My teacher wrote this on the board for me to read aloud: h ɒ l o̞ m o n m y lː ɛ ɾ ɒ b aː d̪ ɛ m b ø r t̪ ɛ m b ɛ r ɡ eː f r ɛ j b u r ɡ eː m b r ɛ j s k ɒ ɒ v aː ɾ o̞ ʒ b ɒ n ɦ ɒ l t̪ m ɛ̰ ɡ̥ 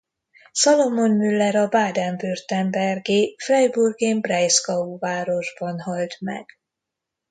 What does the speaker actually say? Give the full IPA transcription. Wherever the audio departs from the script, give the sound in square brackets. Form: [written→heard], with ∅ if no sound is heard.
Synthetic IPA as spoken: [h→s] ɒ l o̞ m o n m y lː ɛ ɾ ɒ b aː d̪ ɛ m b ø r t̪ ɛ m b ɛ r ɡ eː f r ɛ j b u r ɡ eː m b r ɛ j s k ɒ [ɒ→u] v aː ɾ o̞ ʒ b ɒ n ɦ ɒ l t̪ m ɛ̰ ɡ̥